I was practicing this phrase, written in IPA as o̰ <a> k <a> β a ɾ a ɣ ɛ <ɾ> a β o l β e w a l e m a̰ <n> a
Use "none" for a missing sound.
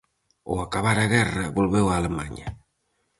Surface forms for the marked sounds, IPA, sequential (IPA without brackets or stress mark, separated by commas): a, a, r, ɲ